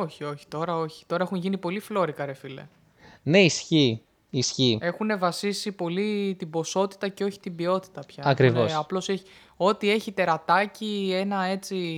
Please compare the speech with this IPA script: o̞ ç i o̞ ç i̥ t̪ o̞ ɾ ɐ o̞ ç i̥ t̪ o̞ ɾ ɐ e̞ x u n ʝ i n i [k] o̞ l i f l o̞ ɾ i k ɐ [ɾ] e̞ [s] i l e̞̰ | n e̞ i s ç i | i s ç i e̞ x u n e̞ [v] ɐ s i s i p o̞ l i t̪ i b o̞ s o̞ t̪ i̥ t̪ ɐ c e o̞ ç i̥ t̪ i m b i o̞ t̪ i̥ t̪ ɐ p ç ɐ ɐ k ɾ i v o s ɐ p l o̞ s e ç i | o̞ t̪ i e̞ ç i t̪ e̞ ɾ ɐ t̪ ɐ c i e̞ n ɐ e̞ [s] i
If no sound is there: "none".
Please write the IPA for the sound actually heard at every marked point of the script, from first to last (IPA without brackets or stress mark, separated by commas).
p, ɾ, f, v, t͡s